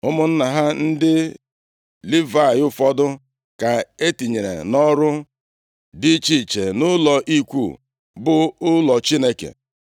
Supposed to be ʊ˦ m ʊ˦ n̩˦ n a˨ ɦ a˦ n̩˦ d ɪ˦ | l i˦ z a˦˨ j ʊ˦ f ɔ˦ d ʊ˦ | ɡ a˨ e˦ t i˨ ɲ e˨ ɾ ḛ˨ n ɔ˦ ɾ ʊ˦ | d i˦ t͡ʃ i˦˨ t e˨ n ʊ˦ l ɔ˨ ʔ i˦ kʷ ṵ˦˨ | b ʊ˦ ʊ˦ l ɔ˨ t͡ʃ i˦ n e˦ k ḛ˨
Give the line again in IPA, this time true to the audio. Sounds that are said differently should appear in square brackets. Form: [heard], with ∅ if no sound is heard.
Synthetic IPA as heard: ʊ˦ m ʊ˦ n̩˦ n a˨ ɦ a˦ n̩˦ d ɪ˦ | l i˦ [v] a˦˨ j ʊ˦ f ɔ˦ d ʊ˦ | [k] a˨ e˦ t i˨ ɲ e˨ ɾ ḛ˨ n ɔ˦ ɾ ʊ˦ | d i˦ t͡ʃ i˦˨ [t͡ʃ] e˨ n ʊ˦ l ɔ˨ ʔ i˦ kʷ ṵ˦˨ | b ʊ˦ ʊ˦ l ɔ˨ t͡ʃ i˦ n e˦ k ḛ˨